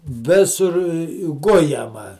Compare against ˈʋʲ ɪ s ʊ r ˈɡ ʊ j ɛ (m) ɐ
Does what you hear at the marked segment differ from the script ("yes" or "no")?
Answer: no